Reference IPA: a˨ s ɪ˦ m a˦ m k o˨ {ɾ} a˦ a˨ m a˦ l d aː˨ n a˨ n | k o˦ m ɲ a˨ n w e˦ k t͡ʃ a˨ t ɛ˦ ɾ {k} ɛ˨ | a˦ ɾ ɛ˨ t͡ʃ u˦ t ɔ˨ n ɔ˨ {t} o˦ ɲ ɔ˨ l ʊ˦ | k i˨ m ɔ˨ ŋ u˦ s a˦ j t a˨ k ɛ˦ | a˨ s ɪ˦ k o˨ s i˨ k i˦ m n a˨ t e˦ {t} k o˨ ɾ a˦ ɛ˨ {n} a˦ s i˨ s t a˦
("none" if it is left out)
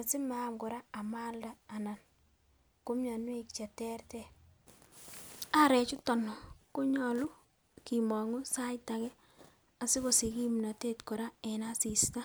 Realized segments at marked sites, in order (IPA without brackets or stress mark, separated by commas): ɾ, t, k, t, n